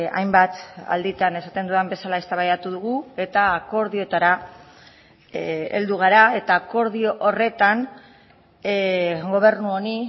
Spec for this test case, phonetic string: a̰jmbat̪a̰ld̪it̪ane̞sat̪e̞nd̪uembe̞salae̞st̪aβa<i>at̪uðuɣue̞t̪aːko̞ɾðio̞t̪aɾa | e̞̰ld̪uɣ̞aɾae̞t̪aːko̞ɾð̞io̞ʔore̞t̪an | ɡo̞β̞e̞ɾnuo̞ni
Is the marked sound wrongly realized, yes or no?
yes